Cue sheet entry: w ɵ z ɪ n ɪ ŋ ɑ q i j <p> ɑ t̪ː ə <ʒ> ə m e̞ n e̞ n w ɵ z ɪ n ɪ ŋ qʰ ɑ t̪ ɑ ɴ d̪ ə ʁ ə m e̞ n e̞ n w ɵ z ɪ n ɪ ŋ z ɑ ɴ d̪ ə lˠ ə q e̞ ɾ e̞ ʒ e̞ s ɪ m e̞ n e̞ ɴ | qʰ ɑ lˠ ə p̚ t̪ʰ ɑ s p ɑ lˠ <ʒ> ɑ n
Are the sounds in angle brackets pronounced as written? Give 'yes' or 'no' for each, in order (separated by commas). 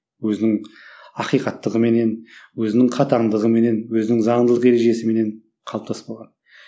no, no, no